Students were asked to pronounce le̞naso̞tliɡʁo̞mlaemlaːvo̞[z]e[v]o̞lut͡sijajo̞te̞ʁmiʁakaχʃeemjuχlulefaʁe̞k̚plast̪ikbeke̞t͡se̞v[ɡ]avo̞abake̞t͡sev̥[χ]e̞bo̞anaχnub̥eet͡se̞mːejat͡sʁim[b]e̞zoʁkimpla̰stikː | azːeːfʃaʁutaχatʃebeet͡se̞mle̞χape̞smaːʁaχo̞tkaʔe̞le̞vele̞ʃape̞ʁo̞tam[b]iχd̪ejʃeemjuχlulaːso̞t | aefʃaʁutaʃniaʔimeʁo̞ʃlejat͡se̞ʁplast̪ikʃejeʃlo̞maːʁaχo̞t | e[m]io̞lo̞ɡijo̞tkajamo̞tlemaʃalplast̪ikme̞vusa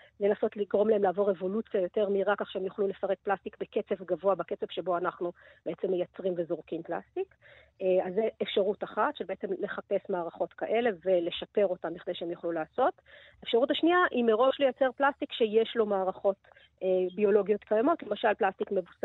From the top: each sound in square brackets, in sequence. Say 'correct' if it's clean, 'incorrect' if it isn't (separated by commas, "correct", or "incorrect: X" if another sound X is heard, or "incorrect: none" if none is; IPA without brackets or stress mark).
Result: incorrect: ʁ, correct, correct, incorrect: ʃ, incorrect: v, correct, incorrect: b